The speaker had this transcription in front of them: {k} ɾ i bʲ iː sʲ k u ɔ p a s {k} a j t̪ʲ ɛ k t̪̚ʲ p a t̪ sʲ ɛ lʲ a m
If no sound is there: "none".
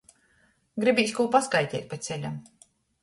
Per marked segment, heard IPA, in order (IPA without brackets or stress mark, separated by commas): ɡ, k